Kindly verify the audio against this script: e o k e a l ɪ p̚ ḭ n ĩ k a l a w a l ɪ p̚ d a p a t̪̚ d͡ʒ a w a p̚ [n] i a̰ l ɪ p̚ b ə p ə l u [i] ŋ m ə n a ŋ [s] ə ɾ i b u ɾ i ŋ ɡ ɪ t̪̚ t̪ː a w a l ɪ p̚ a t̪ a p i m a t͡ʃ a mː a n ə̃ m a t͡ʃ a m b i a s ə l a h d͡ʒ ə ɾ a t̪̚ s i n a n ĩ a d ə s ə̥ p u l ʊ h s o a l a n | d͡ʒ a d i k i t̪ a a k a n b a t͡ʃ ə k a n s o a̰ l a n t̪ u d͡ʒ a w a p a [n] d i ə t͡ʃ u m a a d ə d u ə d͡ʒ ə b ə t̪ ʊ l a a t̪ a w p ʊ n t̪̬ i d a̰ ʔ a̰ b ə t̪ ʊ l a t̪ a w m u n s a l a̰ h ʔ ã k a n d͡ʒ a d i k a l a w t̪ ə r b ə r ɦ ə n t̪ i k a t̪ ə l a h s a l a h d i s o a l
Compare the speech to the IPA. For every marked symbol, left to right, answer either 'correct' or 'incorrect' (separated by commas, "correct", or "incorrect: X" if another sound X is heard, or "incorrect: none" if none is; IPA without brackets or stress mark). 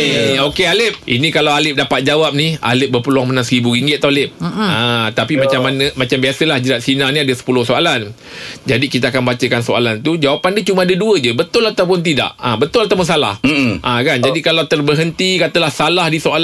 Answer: correct, incorrect: a, correct, correct